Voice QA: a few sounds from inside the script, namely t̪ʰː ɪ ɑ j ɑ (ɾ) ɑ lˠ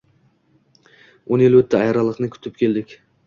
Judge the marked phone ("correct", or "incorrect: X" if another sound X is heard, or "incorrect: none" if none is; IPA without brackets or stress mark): correct